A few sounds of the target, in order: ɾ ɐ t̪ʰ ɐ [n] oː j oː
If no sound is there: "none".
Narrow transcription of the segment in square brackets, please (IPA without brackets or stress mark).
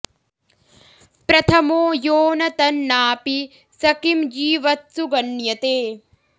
m